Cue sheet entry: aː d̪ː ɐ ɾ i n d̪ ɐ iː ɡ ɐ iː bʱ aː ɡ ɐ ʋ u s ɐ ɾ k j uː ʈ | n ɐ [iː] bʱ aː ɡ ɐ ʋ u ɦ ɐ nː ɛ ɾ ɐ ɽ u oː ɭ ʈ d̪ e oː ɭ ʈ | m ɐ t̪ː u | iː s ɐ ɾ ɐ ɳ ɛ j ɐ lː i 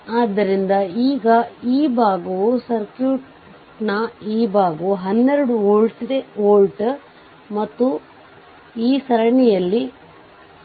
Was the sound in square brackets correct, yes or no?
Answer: yes